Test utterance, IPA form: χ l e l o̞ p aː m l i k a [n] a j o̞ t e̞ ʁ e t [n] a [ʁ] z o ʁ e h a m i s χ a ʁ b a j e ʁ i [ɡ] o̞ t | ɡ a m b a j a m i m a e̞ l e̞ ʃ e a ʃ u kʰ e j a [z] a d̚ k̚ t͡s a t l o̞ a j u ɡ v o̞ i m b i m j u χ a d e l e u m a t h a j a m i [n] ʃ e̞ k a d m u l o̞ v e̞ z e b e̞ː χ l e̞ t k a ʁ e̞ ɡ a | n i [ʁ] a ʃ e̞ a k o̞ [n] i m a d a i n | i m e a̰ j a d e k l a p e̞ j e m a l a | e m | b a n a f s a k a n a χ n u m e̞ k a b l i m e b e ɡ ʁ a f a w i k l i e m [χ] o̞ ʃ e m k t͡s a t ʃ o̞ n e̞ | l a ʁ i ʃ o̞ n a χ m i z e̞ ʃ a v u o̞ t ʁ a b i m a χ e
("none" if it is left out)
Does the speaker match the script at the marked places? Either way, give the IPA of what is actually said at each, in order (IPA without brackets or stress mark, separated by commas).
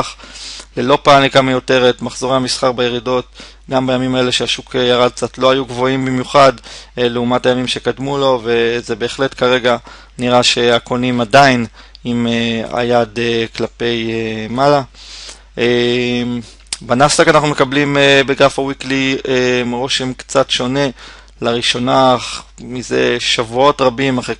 m, m, χ, d, ʁ, m, ʁ, n, ʁ